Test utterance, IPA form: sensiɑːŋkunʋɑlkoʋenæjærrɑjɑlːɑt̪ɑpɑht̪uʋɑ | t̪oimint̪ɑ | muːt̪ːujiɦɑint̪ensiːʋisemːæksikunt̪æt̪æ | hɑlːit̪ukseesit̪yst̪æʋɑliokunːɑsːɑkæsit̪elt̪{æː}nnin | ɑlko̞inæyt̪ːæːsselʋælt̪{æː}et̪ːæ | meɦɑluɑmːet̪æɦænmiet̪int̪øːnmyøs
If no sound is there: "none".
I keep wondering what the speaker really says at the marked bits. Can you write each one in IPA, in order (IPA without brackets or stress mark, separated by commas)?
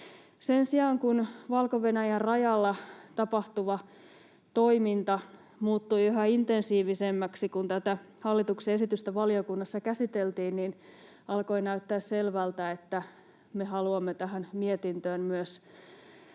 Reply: iː, æ